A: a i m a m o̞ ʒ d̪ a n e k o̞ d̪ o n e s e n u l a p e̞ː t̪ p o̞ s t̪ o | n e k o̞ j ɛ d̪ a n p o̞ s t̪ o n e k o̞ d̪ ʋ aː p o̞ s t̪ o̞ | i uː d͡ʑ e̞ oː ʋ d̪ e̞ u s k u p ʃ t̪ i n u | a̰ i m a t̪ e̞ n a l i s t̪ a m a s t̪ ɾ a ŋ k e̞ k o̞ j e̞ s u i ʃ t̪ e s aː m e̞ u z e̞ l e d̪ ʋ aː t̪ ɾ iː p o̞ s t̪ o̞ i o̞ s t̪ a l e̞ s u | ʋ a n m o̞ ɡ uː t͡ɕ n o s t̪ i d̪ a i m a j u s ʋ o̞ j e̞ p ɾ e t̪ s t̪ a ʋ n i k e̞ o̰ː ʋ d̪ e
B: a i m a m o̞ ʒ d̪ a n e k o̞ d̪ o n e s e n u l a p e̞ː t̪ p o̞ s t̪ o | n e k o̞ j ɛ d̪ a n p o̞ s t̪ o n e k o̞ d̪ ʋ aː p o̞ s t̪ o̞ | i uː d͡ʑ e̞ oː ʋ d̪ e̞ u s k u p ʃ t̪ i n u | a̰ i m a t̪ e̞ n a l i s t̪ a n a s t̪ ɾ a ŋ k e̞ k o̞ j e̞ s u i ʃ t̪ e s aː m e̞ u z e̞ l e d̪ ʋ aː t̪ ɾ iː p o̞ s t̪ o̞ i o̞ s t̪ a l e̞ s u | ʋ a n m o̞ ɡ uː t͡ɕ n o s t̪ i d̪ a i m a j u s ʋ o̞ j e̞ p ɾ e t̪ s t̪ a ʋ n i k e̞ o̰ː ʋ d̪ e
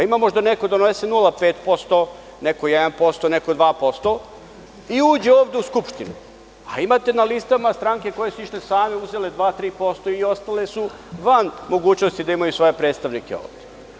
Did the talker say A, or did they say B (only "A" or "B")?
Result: A